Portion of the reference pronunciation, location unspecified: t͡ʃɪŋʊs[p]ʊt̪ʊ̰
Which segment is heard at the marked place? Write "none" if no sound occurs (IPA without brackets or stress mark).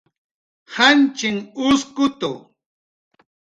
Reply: k